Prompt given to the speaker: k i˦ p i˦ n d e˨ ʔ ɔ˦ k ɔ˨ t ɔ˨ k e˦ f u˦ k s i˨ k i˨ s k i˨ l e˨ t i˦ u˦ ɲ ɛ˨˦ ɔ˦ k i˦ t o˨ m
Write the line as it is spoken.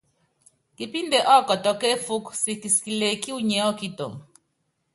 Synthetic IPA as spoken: k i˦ p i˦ n d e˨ ʔ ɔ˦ k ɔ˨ t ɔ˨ k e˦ f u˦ k s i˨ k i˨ s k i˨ l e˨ k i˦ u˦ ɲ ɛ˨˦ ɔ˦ k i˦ t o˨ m